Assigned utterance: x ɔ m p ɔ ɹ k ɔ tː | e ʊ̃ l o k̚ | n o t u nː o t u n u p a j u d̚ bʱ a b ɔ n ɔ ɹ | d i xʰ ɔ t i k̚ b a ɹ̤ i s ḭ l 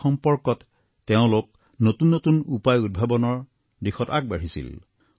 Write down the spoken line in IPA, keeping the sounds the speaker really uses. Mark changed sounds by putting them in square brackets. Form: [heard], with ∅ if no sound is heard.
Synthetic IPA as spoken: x ɔ m p ɔ ɹ k ɔ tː | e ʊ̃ l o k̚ | n o t u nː o t u n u p a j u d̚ bʱ a b ɔ n ɔ ɹ | d i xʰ ɔ t [a] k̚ b a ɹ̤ i s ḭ l